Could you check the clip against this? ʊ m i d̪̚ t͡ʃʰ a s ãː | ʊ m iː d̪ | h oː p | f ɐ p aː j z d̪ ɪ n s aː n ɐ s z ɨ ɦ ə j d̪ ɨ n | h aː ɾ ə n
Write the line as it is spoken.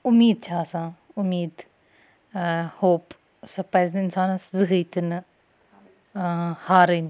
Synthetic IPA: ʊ m iː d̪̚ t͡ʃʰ a s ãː | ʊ m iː d̪ | h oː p | s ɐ p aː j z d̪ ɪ n s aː n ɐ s z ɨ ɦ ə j t̪ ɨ n | h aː ɾ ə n